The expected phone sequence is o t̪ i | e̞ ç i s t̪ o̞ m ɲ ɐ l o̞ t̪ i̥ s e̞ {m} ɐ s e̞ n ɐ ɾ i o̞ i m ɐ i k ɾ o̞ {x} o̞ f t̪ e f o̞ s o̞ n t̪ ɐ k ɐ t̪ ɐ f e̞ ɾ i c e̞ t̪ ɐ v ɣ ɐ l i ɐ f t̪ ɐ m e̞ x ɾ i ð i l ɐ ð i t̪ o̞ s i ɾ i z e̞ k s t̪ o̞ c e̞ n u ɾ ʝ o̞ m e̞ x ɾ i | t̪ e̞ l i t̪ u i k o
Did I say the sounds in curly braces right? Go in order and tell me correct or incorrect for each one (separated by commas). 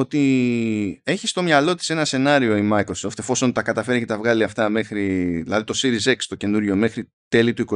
incorrect, incorrect